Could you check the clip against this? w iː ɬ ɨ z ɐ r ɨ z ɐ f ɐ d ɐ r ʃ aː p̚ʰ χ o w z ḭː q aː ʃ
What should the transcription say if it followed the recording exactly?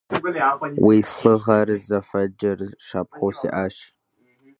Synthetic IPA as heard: w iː ɬ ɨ ʁ ɐ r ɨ z ɐ f ɐ d͡ʒ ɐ r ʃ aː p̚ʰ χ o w s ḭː ʔ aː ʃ